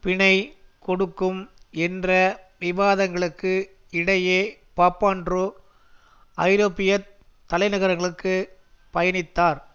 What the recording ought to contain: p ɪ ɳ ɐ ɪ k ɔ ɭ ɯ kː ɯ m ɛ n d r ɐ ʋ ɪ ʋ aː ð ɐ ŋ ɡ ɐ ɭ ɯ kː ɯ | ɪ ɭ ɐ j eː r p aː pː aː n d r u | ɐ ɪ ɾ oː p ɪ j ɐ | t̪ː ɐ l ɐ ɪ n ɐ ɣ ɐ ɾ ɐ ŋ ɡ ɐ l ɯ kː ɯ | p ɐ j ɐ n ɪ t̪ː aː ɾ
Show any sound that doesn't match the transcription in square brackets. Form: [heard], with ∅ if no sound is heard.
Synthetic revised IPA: p ɪ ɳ ɐ ɪ k ɔ [ɽ] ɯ kː ɯ m ɛ n d r ɐ ʋ ɪ ʋ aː ð ɐ ŋ ɡ ɐ ɭ ɯ kː ɯ | ɪ [ɽ] ɐ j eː [∅] p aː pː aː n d r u | ɐ ɪ ɾ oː p ɪ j ɐ | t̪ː ɐ l ɐ ɪ n ɐ ɣ ɐ ɾ ɐ ŋ ɡ ɐ [ɭ] ɯ kː ɯ | p ɐ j ɐ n ɪ t̪ː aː ɾ